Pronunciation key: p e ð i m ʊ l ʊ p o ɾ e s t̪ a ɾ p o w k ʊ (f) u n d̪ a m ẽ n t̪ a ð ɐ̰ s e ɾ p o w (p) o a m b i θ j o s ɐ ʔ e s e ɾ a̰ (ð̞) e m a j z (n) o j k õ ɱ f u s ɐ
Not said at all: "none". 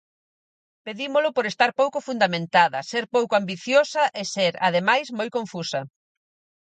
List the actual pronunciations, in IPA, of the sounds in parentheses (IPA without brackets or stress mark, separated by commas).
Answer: f, k, ð̞, m